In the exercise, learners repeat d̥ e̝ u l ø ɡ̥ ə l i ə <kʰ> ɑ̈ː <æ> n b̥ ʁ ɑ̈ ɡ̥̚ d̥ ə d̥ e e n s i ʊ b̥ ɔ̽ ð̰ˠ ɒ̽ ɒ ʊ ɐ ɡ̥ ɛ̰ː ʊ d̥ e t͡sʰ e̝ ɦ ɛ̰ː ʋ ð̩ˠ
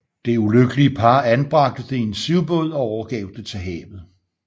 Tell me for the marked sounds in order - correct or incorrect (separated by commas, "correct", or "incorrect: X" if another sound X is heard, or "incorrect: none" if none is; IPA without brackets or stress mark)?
incorrect: pʰ, correct